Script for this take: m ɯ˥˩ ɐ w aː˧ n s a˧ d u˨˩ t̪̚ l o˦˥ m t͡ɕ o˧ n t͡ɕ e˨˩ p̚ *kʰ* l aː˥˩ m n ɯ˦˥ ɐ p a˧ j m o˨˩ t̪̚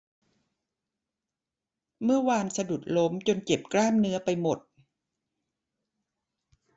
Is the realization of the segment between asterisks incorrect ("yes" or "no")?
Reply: yes